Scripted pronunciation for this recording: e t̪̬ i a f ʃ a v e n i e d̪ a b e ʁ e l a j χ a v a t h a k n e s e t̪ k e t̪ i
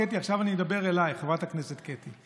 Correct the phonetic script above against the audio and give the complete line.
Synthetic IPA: e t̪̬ i a χ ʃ a v a n i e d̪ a b e ʁ e l a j χ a v a t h a k n e s e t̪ k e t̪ i

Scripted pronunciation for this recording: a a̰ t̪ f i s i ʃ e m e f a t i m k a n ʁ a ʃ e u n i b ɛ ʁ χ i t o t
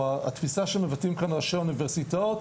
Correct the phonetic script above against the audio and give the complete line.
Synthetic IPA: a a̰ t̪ f i s a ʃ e m e v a t i m k a n ʁ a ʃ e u n i v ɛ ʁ s i t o t

